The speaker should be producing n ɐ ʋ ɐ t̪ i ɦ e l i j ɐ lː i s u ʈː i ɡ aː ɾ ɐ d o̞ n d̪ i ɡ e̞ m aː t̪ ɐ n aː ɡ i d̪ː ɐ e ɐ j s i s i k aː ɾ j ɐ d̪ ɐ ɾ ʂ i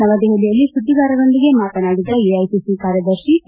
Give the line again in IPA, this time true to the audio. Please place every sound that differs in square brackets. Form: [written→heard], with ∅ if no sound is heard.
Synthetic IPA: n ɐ ʋ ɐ [t̪→d̪] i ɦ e l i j ɐ lː i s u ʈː i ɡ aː ɾ ɐ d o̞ n d̪ i ɡ e̞ m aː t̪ ɐ n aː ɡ i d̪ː ɐ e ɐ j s i s i k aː ɾ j ɐ d̪ ɐ ɾ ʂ i